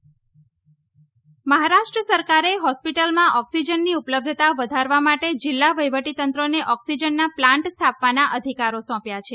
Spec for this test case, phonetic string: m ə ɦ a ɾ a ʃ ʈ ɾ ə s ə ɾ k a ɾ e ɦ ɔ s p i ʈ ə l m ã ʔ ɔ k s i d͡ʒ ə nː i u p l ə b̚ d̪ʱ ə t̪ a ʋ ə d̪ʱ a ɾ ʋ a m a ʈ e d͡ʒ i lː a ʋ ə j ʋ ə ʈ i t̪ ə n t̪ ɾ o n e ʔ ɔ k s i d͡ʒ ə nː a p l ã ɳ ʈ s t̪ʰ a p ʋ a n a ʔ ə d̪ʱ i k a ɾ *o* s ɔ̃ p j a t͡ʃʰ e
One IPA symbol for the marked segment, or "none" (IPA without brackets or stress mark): o